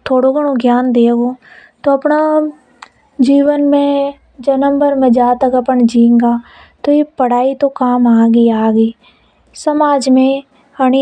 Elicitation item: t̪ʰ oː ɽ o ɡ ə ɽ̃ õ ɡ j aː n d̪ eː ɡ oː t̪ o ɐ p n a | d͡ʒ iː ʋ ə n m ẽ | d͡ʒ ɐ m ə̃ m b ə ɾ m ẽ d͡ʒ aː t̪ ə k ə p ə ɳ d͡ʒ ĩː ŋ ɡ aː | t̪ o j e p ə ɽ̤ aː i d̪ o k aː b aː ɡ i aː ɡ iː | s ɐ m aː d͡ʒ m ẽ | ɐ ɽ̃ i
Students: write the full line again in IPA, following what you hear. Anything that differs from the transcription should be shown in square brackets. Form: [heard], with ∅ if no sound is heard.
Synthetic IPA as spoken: t̪ʰ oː ɽ o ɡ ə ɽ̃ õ ɡ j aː n d̪ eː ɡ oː t̪ o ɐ p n a | d͡ʒ iː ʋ ə n m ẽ | d͡ʒ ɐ [n] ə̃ m b ə ɾ m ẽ d͡ʒ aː t̪ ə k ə p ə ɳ d͡ʒ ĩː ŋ ɡ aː | t̪ o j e p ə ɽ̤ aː i [t̪] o k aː [m] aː ɡ i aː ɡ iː | s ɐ m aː d͡ʒ m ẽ | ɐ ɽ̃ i